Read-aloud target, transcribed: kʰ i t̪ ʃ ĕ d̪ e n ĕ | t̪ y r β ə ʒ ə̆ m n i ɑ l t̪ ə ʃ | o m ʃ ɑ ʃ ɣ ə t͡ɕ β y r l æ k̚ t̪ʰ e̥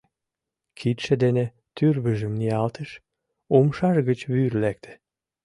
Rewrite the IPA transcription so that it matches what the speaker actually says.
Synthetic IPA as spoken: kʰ i t̪ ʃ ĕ d̪ e n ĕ | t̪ y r β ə ʒ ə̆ m n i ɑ l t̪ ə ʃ | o m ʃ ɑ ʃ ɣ ə t͡ɕ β y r l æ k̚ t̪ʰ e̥